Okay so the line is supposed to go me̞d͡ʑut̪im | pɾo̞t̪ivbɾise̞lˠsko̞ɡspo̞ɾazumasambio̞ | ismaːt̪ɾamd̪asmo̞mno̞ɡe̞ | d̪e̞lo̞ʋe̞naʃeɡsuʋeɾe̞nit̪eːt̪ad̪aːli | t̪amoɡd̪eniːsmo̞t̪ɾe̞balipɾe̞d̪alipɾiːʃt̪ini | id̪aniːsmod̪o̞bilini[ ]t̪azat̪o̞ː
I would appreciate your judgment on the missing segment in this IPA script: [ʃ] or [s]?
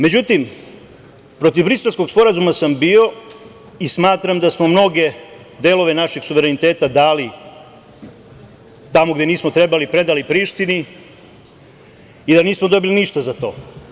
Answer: ʃ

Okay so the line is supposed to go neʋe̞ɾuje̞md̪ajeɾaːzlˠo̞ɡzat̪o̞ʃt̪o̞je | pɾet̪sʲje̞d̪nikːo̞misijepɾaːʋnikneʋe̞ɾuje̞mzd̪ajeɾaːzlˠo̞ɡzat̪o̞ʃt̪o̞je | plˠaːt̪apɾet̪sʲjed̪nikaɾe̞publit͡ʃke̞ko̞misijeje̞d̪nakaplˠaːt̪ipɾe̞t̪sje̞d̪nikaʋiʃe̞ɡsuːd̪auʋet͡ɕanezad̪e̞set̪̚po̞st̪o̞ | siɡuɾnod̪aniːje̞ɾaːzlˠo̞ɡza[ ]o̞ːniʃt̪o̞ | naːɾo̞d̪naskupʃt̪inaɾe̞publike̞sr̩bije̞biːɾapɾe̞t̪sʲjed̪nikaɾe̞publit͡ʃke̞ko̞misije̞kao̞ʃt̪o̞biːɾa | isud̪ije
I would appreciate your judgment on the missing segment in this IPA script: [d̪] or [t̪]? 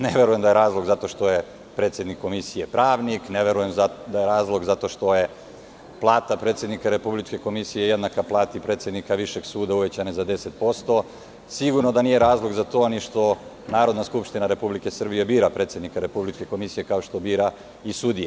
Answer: t̪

